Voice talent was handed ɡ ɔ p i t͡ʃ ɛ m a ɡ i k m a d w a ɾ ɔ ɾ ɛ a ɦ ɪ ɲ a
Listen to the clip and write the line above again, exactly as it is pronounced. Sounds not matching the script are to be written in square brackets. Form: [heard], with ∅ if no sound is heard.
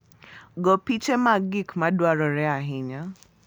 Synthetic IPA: ɡ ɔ p i t͡ʃ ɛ m a ɡ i k m a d w a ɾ ɔ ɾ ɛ a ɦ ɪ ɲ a